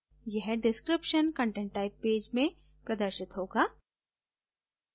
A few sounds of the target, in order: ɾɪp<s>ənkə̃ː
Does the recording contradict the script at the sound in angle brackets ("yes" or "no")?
yes